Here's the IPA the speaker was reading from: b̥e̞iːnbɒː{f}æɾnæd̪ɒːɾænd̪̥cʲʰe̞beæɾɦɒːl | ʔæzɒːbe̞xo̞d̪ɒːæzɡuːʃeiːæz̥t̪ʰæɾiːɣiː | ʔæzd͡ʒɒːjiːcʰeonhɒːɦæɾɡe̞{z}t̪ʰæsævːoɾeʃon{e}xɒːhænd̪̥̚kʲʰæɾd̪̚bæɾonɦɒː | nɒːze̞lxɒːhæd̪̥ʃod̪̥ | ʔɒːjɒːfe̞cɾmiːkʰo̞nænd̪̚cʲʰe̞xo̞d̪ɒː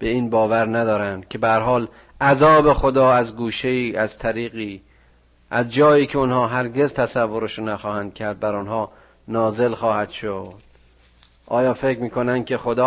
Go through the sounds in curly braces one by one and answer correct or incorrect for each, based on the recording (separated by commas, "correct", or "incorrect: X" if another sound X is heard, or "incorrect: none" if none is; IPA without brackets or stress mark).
incorrect: v, correct, incorrect: æ